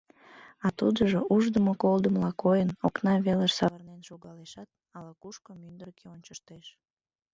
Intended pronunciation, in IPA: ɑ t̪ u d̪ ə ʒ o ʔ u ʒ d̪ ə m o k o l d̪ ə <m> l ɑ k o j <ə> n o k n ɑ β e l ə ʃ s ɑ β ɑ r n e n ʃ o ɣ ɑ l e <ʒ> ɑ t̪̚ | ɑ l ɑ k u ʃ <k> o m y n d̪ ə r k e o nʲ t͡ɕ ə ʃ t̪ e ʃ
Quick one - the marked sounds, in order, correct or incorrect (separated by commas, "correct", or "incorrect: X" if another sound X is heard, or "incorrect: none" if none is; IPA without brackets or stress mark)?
correct, correct, incorrect: ʃ, correct